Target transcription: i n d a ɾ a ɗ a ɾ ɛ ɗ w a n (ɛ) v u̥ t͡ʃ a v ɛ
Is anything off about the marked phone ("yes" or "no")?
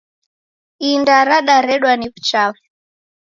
yes